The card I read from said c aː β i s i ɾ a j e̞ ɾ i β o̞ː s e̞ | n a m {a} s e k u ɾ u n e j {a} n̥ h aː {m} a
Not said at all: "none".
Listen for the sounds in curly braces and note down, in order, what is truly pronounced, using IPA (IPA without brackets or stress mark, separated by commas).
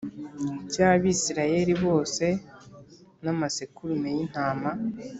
a, i, m